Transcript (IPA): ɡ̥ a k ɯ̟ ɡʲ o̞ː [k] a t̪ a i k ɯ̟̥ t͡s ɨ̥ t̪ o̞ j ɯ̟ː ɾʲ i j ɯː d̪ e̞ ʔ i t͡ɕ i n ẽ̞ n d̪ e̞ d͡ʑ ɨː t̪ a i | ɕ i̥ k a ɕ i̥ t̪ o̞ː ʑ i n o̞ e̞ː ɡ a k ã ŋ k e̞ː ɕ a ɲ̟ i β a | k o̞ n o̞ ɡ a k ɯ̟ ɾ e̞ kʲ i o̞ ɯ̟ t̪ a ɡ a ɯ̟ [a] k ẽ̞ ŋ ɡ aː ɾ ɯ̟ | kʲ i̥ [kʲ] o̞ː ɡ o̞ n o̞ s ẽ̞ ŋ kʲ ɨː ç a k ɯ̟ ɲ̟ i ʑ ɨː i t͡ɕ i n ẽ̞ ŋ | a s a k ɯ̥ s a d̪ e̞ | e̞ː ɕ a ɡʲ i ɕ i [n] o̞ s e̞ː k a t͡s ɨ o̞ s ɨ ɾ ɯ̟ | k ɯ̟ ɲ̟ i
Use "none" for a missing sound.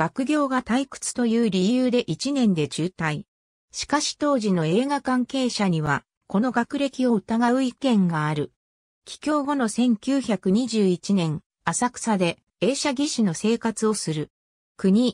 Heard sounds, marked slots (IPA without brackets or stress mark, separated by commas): ɡ, i, kʲ, n